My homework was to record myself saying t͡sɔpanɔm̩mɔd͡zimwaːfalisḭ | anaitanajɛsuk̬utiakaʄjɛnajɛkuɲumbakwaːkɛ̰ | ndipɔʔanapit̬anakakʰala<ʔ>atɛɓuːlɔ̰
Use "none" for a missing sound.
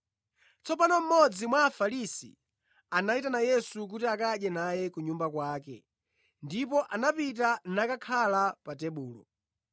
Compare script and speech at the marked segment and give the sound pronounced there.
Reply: p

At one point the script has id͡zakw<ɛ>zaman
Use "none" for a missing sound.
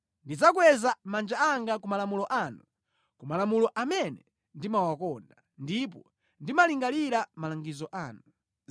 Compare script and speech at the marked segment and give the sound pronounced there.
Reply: ɛ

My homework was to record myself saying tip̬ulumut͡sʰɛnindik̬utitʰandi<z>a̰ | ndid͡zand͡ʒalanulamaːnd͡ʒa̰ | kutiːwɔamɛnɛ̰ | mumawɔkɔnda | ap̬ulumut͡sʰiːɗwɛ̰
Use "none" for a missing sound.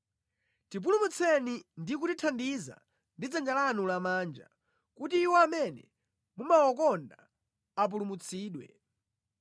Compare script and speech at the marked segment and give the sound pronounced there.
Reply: z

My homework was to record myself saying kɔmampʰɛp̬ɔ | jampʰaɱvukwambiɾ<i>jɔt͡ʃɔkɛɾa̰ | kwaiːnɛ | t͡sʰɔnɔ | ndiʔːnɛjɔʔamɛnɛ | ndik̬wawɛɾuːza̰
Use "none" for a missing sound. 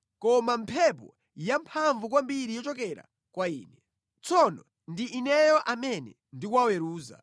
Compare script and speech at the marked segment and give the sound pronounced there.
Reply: i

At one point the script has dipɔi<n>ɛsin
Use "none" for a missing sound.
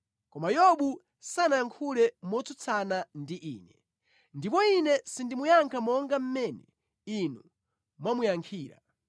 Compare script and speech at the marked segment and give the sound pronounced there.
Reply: n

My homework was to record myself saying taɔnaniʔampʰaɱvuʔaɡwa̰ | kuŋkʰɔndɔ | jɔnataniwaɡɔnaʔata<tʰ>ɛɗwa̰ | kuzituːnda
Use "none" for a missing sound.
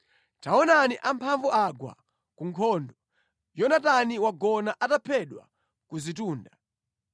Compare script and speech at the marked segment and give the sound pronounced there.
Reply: pʰ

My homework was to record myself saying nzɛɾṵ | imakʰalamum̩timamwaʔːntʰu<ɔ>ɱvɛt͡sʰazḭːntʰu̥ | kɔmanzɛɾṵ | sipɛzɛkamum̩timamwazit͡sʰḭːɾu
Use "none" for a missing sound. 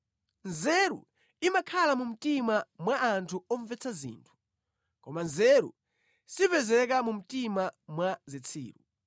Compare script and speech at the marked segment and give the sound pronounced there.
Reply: ɔ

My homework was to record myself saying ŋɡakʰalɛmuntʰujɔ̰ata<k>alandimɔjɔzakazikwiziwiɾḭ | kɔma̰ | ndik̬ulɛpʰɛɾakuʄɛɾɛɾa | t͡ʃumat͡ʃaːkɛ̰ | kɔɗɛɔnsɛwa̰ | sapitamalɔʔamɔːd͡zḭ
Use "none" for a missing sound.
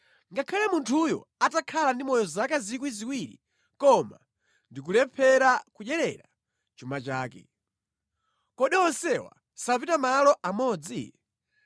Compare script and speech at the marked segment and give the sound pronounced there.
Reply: kʰ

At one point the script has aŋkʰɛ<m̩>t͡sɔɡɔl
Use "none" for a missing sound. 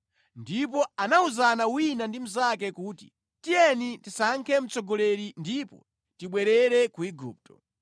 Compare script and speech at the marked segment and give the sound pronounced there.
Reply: m̩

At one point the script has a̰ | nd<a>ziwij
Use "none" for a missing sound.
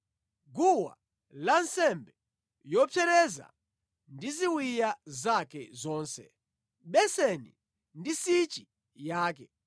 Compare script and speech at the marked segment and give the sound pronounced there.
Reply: i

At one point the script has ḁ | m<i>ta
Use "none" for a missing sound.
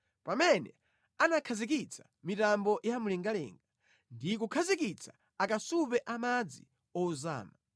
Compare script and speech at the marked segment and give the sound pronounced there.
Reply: i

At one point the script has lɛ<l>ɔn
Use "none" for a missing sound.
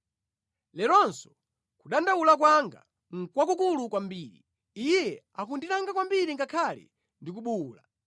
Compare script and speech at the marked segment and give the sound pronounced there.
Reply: ɾ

